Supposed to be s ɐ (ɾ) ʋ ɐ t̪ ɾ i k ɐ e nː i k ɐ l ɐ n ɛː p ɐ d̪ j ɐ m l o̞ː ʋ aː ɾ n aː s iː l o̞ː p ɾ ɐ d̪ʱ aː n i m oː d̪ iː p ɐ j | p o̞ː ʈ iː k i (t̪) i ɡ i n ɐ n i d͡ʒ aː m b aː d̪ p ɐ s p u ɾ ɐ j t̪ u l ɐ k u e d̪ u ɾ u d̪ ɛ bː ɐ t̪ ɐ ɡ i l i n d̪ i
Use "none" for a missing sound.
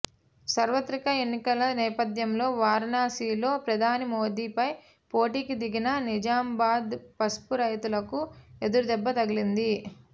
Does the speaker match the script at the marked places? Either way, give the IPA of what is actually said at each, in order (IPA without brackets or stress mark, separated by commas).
ɾ, d̪